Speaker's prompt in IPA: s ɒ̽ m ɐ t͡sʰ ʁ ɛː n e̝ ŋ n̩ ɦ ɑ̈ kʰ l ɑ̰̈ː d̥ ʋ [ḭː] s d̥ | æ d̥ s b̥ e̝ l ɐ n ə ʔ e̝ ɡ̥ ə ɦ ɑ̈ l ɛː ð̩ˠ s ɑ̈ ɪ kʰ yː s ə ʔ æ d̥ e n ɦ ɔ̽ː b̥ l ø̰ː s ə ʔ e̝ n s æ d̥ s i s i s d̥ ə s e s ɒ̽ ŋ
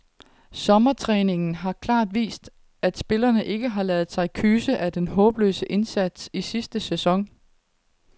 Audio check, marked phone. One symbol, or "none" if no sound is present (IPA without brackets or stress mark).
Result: ḭː